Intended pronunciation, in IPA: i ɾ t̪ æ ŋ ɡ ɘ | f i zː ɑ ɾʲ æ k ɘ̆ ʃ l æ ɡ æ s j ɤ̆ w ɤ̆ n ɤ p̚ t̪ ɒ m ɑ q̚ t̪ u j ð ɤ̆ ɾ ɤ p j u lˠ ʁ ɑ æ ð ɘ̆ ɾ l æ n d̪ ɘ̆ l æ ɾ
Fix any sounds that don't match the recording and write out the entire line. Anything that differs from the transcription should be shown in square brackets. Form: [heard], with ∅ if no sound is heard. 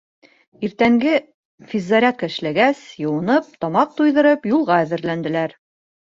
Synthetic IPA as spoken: i ɾ t̪ æ ŋ ɡ ɘ | f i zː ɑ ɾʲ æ k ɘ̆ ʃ l æ ɡ æ s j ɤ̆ w ɤ̆ n ɤ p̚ t̪ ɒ m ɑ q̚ t̪ u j ð ɤ̆ ɾ ɤ p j u lˠ ʁ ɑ æ ð ɘ̆ ɾ l æ n d̪ ɘ̆ l æ ɾ